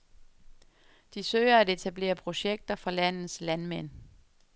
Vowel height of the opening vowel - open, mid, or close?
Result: close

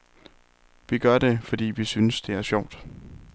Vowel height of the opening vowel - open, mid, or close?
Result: close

